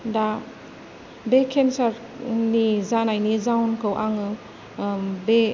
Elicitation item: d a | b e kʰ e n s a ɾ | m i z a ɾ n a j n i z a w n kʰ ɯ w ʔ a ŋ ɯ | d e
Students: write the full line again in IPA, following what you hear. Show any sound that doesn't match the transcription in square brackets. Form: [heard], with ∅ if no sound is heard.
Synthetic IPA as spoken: d a | b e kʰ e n s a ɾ | [n] i z a [∅] n a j n i z a w n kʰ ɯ w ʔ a ŋ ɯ | [b] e